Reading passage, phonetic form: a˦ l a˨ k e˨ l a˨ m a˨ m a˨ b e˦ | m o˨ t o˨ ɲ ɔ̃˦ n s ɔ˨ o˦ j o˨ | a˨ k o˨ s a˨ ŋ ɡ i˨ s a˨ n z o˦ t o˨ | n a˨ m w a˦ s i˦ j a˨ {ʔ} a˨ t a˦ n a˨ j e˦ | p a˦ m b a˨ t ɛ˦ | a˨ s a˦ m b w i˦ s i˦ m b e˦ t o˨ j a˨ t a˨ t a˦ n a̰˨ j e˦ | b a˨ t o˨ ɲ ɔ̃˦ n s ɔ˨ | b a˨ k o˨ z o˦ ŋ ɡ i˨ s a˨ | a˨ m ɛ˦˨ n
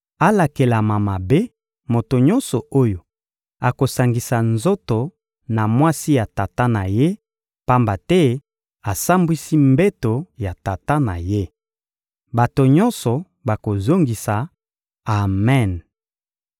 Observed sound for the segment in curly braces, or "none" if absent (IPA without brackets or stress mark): t